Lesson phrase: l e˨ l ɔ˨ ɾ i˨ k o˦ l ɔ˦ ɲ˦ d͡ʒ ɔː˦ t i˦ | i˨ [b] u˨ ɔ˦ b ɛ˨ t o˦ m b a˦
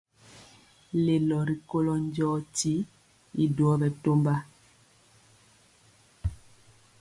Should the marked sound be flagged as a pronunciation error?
yes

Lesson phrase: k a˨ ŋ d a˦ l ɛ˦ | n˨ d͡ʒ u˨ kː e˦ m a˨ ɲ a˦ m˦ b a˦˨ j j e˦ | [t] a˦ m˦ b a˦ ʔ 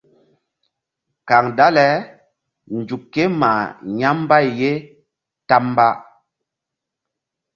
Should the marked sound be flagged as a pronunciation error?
no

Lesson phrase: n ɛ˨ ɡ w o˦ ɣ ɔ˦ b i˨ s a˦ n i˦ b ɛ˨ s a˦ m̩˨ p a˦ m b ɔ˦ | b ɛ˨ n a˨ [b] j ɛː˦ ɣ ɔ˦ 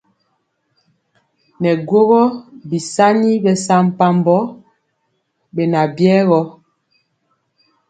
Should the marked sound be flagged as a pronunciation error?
no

